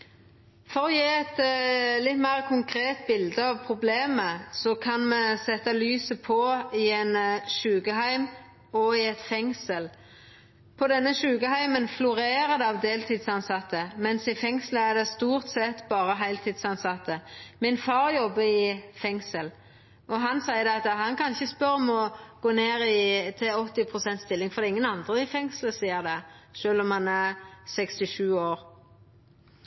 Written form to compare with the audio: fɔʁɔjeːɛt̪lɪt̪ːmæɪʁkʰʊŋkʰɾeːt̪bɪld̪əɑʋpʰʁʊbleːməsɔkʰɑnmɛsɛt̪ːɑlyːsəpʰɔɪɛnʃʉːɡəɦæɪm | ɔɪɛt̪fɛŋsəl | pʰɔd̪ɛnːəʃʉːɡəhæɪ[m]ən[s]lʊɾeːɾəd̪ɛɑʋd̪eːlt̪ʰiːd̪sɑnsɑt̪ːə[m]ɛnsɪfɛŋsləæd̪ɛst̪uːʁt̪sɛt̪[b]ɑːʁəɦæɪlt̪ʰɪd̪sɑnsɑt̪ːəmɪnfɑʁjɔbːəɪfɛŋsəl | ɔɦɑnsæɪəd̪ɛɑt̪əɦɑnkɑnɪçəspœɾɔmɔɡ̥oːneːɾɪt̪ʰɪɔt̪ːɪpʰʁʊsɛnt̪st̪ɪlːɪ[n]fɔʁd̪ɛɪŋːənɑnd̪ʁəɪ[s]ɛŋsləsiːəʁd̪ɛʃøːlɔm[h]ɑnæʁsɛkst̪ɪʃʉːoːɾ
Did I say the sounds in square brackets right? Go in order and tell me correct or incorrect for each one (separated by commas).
correct, incorrect, correct, correct, incorrect, incorrect, correct